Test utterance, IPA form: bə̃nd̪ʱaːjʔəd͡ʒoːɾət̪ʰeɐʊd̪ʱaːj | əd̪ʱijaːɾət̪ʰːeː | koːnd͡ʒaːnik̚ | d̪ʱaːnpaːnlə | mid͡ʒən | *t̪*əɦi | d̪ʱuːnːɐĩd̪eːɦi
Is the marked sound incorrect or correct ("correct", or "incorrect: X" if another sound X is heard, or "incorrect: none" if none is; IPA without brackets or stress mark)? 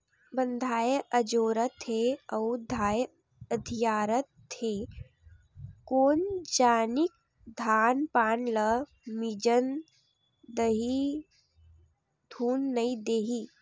incorrect: d̪